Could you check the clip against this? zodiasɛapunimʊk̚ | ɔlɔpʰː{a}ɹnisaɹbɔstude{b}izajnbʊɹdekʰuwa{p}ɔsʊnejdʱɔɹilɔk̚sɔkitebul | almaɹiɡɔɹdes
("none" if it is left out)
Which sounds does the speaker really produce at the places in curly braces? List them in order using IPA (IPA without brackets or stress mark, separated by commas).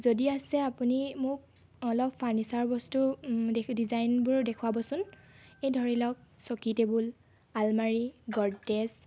a, d, b